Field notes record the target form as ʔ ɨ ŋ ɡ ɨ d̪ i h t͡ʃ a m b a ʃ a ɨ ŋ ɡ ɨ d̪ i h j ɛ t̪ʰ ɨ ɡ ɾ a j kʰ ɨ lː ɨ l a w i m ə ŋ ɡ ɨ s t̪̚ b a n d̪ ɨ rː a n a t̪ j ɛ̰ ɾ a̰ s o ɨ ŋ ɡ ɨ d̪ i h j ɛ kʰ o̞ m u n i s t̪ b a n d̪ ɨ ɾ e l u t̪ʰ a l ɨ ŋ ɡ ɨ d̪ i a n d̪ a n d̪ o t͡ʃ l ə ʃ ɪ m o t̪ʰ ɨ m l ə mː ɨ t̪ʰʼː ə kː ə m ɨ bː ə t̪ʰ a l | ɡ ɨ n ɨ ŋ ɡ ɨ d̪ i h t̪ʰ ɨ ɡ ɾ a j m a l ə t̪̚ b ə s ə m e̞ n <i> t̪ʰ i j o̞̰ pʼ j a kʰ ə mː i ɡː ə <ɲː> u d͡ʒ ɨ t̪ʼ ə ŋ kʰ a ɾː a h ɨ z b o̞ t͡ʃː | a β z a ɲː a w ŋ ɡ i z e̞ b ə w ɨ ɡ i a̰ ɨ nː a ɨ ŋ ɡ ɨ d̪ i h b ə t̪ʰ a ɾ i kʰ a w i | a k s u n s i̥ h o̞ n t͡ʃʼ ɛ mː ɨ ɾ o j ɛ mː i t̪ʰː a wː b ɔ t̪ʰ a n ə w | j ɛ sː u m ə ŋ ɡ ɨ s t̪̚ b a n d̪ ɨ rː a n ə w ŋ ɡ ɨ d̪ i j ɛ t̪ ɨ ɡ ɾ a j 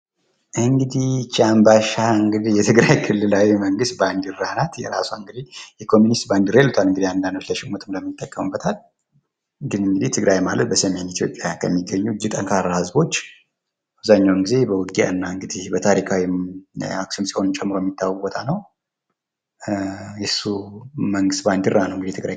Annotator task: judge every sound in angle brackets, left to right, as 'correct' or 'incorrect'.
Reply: correct, correct

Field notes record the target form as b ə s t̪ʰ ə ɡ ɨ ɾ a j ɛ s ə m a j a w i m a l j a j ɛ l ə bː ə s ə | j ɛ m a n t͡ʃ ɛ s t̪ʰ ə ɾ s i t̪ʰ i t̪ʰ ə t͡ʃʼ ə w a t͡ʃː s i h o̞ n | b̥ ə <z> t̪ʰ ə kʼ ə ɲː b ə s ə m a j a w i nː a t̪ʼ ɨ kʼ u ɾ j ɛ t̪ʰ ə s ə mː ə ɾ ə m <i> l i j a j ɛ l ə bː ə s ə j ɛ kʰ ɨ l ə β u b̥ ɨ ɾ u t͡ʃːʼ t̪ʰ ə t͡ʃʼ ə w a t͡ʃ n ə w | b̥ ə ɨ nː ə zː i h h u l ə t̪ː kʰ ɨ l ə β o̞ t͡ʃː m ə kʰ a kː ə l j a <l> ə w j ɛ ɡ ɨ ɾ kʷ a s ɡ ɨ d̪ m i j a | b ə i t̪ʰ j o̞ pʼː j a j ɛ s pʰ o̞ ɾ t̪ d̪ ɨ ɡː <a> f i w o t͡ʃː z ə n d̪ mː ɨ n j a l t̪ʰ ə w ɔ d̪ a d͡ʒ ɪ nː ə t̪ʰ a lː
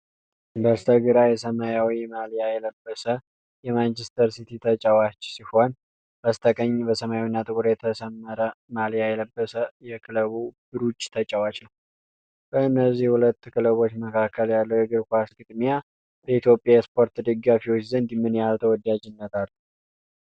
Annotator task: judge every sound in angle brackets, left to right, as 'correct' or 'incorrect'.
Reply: incorrect, incorrect, incorrect, correct

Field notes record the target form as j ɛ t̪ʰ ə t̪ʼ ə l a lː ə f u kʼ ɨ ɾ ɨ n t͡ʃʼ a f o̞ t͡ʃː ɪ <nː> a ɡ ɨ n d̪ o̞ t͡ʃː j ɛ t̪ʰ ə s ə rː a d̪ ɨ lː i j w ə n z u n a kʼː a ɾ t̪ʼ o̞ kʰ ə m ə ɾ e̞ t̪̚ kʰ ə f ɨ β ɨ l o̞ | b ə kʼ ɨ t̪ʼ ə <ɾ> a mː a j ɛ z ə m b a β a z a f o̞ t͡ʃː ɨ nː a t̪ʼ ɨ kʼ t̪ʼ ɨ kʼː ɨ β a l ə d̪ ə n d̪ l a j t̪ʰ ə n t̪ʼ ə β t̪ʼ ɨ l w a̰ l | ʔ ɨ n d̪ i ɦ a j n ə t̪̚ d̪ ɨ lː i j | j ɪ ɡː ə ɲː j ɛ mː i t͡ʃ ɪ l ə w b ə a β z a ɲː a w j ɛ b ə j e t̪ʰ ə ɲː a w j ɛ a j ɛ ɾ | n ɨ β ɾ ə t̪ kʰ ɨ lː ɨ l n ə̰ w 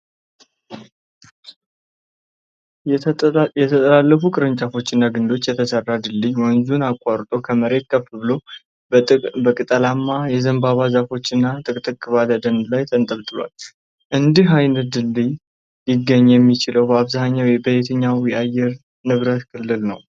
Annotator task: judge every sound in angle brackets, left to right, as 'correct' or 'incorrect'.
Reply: correct, incorrect

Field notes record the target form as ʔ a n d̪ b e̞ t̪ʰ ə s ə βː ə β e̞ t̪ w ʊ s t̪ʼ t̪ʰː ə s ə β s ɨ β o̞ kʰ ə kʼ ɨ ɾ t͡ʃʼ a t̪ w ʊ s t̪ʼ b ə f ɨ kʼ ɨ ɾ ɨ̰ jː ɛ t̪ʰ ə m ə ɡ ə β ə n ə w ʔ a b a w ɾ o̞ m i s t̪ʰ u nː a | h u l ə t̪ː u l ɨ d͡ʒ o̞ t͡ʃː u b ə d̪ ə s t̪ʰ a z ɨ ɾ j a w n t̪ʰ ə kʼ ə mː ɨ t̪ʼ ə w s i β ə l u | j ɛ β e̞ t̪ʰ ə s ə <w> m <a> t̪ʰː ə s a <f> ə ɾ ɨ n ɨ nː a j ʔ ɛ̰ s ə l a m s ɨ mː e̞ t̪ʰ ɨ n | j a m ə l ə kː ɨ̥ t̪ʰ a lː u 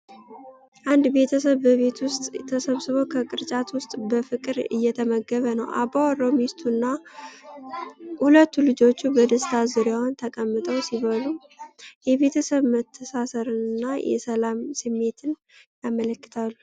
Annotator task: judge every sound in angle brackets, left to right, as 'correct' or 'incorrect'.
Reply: incorrect, incorrect, incorrect

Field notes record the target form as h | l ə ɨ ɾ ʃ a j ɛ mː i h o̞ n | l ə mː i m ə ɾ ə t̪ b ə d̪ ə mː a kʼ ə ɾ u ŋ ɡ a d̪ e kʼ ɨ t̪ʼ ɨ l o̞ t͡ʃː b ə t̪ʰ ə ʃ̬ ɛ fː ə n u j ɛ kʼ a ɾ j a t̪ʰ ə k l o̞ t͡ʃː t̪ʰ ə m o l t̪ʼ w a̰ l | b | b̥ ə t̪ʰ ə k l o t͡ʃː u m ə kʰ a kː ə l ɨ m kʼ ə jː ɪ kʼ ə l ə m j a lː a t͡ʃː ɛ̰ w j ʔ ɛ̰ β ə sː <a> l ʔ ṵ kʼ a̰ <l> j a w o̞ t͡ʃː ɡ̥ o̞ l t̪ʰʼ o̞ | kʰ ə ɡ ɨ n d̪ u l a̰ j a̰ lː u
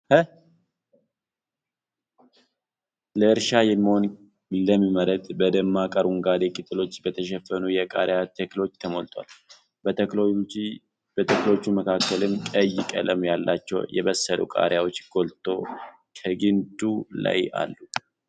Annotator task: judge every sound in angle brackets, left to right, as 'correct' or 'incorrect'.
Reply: incorrect, incorrect

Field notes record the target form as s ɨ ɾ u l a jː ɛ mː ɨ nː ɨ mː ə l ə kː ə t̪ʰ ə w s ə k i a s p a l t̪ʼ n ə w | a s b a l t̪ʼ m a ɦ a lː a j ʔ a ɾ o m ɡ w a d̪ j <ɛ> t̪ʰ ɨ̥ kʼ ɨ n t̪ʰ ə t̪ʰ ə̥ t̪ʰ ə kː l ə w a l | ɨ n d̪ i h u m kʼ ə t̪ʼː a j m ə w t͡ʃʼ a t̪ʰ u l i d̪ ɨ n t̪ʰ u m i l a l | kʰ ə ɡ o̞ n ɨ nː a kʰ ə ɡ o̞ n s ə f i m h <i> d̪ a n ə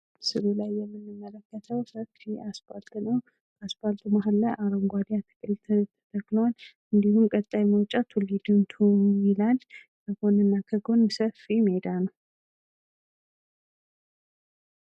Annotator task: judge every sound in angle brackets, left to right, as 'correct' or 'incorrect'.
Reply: incorrect, incorrect

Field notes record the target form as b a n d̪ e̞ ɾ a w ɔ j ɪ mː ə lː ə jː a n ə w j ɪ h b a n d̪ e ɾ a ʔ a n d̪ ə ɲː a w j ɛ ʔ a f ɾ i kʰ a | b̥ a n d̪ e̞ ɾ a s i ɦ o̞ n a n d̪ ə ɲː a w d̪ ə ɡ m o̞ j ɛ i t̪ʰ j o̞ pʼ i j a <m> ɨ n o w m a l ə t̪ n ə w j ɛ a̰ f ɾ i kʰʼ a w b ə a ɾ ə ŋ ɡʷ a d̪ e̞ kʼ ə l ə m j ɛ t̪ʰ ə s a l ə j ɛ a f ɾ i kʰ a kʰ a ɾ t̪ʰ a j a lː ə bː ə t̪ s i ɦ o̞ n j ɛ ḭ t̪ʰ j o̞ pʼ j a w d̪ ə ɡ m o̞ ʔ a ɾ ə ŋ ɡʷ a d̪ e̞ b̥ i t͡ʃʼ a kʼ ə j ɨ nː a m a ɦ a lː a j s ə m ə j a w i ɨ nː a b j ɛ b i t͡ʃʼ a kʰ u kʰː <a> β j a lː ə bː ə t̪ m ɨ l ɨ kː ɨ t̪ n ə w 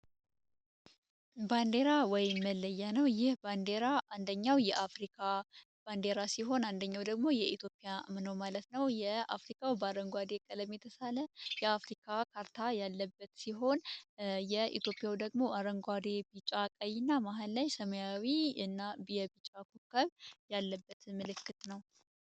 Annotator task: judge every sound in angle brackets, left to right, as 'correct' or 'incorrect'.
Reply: correct, incorrect

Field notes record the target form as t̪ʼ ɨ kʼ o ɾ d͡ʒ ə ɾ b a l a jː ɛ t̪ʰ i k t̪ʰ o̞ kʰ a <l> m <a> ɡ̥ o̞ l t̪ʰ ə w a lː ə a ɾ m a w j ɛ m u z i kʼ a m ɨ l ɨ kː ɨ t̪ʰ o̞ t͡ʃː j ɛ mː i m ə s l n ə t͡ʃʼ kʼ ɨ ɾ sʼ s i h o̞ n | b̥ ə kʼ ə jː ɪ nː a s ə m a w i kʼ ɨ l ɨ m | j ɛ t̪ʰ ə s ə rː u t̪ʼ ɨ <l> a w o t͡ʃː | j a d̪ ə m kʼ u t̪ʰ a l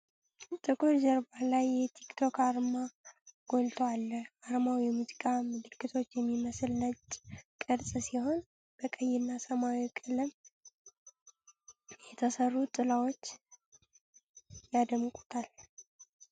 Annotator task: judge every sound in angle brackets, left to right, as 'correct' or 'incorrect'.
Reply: incorrect, correct, correct

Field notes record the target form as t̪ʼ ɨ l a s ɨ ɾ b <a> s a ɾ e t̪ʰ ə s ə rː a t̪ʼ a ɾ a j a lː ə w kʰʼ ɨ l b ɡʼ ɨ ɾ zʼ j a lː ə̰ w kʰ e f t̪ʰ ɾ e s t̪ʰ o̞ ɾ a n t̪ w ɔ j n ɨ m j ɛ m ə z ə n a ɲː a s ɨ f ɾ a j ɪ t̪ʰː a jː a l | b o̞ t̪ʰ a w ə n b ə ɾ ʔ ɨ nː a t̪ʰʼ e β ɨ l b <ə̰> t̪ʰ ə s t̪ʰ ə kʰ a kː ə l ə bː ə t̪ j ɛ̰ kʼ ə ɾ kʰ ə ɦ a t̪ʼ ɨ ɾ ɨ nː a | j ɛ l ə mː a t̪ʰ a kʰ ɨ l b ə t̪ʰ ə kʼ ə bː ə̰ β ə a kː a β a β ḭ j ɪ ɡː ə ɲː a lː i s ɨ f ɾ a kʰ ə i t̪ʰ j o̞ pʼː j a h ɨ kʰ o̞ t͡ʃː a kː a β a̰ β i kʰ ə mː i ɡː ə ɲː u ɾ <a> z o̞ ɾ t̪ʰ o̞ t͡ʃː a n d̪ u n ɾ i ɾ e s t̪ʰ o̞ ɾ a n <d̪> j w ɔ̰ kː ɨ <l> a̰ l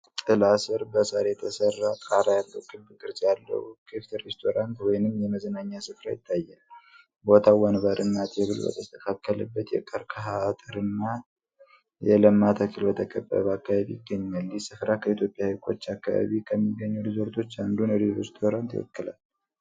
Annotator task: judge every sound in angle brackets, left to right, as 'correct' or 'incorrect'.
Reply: incorrect, correct, incorrect, incorrect, correct

